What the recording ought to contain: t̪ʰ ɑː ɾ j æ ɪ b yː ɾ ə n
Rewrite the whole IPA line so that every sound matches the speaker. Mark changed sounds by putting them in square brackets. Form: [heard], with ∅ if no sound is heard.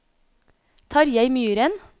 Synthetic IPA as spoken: t̪ʰ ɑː ɾ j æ ɪ [m] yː ɾ ə n